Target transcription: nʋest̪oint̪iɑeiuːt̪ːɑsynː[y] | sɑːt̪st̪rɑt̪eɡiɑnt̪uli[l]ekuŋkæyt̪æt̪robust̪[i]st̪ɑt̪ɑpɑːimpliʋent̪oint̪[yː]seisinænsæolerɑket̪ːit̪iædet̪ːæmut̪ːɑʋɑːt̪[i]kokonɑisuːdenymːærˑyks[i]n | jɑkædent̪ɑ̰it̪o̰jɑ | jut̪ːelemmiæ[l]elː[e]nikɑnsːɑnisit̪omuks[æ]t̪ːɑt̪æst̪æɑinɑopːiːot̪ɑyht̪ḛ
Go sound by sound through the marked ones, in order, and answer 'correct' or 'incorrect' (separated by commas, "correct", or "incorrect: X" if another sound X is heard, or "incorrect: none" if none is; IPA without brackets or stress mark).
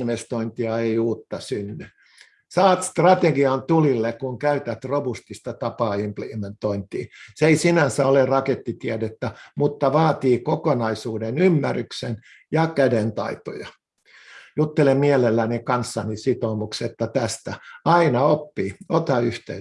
correct, incorrect: lː, correct, incorrect: iː, incorrect: iː, incorrect: e, correct, incorrect: æ, incorrect: e